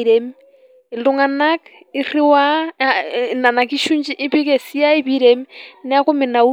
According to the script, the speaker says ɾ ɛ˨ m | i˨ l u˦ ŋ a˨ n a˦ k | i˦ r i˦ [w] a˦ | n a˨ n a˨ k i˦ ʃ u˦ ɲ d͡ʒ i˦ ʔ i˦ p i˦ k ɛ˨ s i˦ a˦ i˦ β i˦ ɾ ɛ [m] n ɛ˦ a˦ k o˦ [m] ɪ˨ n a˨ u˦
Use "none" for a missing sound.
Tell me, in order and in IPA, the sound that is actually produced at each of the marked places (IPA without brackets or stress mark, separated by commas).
w, m, m